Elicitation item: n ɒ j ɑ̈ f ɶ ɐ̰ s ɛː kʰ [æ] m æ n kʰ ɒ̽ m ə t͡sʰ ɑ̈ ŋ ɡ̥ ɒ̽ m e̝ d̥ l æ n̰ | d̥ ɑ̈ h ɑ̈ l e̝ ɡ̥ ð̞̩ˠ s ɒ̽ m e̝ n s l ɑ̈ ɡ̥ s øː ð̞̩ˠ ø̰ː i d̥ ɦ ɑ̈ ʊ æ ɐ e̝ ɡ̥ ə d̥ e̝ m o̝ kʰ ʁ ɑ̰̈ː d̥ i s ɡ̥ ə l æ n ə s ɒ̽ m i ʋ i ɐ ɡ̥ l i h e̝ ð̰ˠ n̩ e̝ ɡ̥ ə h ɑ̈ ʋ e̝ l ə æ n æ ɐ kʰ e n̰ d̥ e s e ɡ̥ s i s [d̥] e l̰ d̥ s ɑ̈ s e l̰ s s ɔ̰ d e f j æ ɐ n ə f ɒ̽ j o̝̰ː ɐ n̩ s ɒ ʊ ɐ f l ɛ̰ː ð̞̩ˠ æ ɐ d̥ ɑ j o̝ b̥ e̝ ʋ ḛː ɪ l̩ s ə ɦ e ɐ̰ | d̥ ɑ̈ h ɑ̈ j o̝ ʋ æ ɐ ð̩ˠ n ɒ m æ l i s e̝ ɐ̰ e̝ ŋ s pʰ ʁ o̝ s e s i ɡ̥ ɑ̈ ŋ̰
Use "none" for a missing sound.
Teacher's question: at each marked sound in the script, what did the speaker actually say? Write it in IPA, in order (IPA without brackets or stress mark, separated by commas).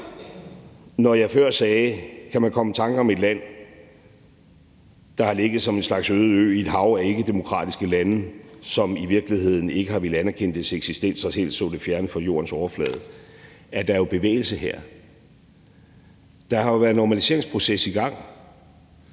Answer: æ, d̥